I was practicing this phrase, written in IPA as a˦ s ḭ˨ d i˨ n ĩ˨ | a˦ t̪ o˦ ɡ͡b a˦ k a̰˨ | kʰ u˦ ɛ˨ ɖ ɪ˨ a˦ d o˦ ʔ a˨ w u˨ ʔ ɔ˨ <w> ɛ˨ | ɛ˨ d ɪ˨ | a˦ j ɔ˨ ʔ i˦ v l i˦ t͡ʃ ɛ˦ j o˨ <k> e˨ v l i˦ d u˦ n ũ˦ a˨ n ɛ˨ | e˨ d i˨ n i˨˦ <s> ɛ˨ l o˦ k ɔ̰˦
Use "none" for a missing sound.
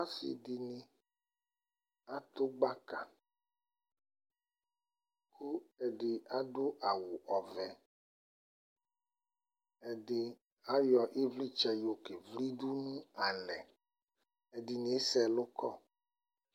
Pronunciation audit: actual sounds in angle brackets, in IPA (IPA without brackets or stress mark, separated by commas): v, k, s